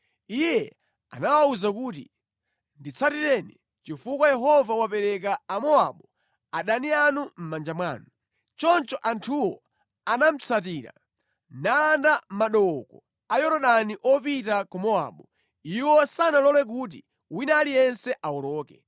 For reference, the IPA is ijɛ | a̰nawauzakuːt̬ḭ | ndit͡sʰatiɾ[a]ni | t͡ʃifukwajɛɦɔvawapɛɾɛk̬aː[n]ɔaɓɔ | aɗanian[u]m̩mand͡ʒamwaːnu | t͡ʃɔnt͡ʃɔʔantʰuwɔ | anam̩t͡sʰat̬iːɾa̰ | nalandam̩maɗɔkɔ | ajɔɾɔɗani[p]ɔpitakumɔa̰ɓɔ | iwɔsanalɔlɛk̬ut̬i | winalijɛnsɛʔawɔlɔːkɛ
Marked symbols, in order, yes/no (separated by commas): no, no, yes, no